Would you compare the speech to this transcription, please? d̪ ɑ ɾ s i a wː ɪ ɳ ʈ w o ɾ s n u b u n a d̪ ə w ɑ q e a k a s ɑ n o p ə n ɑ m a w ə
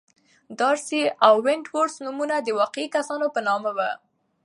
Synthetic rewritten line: d̪ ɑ ɾ s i a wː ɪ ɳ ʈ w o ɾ s n u m u n a d̪ ə w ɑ q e i k a s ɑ n o p ə n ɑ m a w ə